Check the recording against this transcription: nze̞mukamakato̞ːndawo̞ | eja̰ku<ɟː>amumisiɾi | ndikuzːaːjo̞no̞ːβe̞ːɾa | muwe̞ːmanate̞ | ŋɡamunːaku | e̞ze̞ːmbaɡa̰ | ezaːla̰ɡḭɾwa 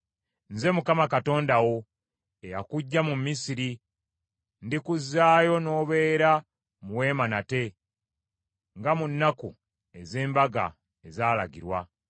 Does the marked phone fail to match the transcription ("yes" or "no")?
no